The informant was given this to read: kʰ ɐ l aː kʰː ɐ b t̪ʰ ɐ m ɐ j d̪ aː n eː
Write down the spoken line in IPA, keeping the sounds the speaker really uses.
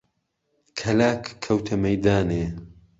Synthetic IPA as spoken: kʰ ɐ l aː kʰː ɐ w t̪ʰ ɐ m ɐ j d̪ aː n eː